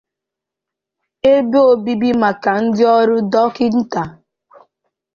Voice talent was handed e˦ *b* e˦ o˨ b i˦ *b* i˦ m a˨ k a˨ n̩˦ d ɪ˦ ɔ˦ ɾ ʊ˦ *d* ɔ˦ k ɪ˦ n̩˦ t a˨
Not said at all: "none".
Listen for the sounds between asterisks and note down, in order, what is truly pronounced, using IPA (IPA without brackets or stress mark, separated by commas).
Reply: b, b, d